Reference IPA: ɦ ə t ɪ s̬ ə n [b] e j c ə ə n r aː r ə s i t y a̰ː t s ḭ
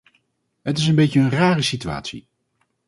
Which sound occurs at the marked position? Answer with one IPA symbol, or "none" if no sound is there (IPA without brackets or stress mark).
b